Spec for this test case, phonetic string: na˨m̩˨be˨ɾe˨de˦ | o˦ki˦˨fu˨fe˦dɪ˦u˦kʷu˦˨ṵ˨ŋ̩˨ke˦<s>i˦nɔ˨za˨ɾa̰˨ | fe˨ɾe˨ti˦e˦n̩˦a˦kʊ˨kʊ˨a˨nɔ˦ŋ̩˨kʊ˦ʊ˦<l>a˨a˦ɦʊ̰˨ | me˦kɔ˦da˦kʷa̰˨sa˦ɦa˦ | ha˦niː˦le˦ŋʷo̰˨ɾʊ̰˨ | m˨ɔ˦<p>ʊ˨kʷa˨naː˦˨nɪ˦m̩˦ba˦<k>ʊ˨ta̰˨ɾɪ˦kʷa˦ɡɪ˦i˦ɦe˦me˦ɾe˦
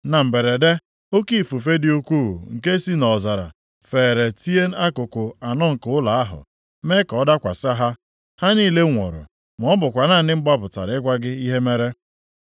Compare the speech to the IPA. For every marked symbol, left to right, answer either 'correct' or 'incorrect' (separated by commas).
correct, correct, incorrect, incorrect